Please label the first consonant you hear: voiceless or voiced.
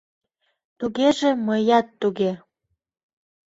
voiceless